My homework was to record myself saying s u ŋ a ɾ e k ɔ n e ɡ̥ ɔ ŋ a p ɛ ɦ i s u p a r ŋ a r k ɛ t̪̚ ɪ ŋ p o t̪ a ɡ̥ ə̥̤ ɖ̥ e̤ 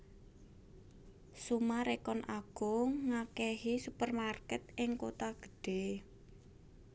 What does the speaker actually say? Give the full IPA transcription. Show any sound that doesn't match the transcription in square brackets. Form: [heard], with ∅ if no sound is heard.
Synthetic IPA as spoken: s u [m] a ɾ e k ɔ n [a] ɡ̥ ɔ ŋ a [k] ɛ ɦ i s u p [ə] r [m] a r k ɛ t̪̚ ɪ ŋ [k] o t̪ a ɡ̥ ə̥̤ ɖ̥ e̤